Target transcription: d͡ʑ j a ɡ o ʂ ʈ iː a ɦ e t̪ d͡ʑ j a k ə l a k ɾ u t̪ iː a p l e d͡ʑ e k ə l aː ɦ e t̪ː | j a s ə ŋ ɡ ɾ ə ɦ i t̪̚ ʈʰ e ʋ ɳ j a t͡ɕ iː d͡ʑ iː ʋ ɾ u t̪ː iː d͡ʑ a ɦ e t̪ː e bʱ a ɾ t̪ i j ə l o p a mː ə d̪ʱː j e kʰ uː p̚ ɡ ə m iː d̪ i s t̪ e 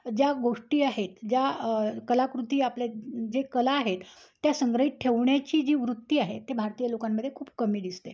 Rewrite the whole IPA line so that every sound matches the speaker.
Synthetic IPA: d͡ʑ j a ɡ o ʂ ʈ iː a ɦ e t̪ d͡ʑ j a k ə l a k ɾ u t̪ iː a p l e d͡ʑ e k ə l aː ɦ e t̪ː | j a s ə ŋ ɡ ɾ ə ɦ i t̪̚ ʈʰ e ʋ ɳ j a t͡ɕ iː d͡ʑ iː ʋ ɾ u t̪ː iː a ɦ e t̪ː e bʱ a ɾ t̪ i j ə l o k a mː ə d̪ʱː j e kʰ uː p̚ k ə m iː d̪ i s t̪ e

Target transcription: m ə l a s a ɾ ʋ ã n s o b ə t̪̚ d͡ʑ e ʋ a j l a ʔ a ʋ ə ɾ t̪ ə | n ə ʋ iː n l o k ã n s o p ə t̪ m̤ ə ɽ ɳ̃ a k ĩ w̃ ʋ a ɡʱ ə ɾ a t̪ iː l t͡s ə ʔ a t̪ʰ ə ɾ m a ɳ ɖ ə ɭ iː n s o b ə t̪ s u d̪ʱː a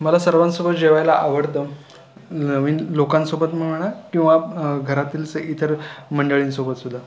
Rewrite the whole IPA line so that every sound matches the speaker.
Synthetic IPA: m ə l a s ə ɾ ʋ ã n s o b ə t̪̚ d͡ʑ e ʋ a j l a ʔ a ʋ ə ɾ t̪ ə | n ə ʋ iː n l o k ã n s o b ə t̪ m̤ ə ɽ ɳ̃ a k ĩ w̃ ʋ a ɡʱ ə ɾ a t̪ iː l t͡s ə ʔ i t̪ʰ ə ɾ m ə ɳ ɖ ə ɭ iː n s o b ə t̪ s u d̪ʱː a

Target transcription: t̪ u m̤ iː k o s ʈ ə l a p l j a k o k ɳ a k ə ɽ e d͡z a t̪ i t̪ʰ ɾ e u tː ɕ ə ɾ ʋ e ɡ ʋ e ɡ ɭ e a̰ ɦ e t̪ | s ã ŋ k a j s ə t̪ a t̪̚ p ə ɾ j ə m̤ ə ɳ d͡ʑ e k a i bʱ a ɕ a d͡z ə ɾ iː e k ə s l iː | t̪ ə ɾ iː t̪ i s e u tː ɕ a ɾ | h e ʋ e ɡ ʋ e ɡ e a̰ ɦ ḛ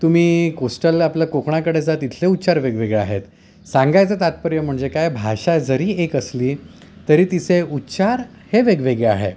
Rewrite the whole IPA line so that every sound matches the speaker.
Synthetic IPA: t̪ u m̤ iː k o s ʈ ə l a p l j a k o k ɳ a k ə ɽ e d͡z a t̪ i t̪ʰ l e u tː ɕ a ɾ ʋ e ɡ ʋ e ɡ ɭ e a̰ ɦ e t̪ | s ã ŋ ɡ a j t͡s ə t̪ a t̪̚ p ə ɾ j ə m̤ ə ɳ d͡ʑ e k a j bʱ a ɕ a d͡z ə ɾ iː e k ə s l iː | t̪ ə ɾ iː t̪ i s e u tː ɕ a ɾ | h e ʋ e ɡ ʋ e ɡ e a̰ ɦ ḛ

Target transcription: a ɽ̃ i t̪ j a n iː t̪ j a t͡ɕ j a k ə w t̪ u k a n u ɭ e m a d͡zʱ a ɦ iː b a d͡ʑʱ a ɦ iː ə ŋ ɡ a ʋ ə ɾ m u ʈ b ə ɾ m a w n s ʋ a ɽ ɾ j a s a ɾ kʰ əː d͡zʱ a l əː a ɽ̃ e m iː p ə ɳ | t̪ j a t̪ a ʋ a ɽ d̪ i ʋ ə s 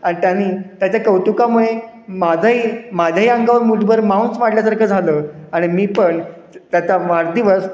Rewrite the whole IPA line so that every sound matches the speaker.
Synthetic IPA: a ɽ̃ i t̪ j a n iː t̪ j a t͡ɕ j a k ə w t̪ u k a m u ɭ e m a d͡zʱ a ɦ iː m a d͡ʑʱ a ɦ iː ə ŋ ɡ a ʋ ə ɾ m u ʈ b ə ɾ m a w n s ʋ a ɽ l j a s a ɾ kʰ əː d͡zʱ a l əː a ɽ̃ i m iː p ə ɳ | t̪ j a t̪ a ʋ a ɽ d̪ i ʋ ə s

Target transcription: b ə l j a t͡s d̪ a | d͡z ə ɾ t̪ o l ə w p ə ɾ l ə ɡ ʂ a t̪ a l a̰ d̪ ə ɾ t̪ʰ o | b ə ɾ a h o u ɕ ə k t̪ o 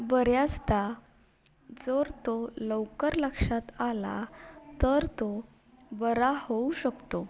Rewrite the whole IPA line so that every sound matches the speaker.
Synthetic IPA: b ə ɾ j a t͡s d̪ a | d͡z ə ɾ t̪ o l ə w k ə ɾ l ə k ʂ a t̪ a l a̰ t̪ ə ɾ t̪ o | b ə ɾ a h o u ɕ ə k t̪ o

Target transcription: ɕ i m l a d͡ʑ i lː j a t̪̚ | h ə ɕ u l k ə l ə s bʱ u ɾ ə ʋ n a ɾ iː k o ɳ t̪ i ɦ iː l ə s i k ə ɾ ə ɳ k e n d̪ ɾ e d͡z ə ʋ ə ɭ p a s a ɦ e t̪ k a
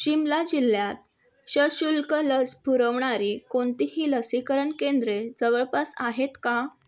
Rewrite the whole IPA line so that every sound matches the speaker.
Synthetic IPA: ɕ i m l a d͡ʑ i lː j a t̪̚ | ɕ ə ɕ u l k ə l ə s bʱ u ɾ ə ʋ ɳ a ɾ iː k o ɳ t̪ i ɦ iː l ə s i k ə ɾ ə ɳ k e n d̪ ɾ e d͡z ə ʋ ə ɭ p a s a ɦ e t̪ k a

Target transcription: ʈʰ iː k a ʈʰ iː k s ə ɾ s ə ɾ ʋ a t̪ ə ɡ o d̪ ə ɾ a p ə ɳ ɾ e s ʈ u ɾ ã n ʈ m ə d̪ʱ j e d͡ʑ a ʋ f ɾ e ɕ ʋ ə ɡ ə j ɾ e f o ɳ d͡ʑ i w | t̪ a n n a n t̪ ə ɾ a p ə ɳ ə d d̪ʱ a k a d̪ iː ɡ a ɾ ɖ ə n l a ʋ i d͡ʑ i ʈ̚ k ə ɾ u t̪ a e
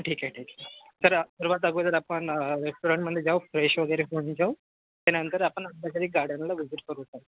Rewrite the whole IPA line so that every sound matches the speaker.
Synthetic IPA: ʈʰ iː k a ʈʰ iː k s ə ɾ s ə ɾ ʋ a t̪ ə ɡ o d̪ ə ɾ a p ə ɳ ɾ e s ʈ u ɾ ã ɳ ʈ m ə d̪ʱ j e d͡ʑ a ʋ f ɾ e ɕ ʋ ə ɡ ə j ɾ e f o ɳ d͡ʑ a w | t̪ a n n ə n t̪ ə ɾ a p ə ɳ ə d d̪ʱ a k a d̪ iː ɡ a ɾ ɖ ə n l a ʋ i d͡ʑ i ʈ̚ k ə ɾ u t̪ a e

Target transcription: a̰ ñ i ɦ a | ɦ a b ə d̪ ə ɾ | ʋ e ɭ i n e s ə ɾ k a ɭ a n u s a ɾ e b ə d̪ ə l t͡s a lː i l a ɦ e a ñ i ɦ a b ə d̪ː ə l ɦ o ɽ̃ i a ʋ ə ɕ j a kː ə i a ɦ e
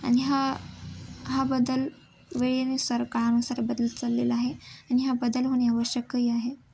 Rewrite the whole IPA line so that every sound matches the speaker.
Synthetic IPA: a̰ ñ i ɦ a | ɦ a b ə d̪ ə l | ʋ e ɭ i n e s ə ɾ k a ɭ a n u s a ɾ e b ə d̪ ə l t͡s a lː e l a ɦ e a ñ i ɦ a b ə d̪ ə l ɦ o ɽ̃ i a ʋ ə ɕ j ə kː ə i a ɦ e

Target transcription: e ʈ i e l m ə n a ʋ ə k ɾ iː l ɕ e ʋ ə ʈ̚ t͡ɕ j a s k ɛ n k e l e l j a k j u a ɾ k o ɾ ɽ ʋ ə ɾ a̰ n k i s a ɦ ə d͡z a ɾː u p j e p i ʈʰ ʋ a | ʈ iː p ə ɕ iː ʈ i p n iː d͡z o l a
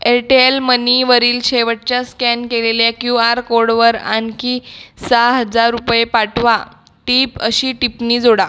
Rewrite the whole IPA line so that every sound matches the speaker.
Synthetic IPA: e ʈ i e l m ə n i ʋ ə ɾ iː l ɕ e ʋ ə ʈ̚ t͡ɕ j a s k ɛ n k e l e l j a k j u a ɾ k o ɾ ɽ ʋ ə ɾ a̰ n k i s a ɦ ə d͡z a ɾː u p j e p a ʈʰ ʋ a | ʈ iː p ə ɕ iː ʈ i p n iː d͡z o ɽ a

